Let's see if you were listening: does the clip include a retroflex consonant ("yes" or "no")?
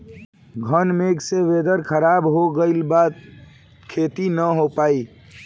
no